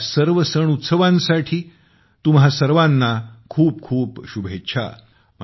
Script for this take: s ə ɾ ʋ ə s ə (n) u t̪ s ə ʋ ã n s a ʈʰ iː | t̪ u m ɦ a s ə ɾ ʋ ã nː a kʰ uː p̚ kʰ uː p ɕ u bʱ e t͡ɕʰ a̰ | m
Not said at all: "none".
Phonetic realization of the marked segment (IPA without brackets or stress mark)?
ɳ